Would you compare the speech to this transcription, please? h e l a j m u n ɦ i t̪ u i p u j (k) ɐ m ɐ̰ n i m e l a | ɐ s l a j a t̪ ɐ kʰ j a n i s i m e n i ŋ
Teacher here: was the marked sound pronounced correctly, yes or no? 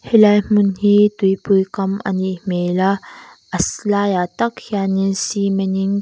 yes